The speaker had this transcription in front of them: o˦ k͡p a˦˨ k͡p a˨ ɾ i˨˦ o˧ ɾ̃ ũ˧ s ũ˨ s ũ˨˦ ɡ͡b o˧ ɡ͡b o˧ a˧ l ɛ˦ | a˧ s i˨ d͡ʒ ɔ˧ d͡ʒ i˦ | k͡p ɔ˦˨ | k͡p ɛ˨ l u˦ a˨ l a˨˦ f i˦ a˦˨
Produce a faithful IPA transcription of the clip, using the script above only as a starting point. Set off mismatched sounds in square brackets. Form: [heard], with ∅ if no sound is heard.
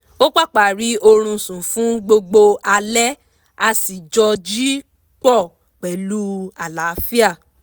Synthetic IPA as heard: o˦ k͡p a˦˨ k͡p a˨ ɾ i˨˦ o˧ ɾ̃ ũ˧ s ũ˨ [f] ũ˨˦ ɡ͡b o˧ ɡ͡b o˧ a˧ l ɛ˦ | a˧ s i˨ d͡ʒ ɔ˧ d͡ʒ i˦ | k͡p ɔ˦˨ | k͡p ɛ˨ l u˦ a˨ l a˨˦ f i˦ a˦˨